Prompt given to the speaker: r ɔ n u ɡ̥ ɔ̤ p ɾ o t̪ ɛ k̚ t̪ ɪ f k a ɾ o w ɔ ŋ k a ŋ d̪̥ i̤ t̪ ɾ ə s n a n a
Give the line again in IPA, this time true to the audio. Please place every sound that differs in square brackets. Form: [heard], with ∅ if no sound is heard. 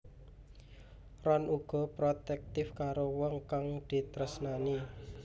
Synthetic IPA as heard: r ɔ n u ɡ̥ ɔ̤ p ɾ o t̪ ɛ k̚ t̪ ɪ f k a ɾ o w ɔ ŋ k a ŋ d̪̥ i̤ t̪ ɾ ə s n a n [i]